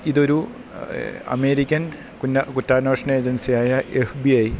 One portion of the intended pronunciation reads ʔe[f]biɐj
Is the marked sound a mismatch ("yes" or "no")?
no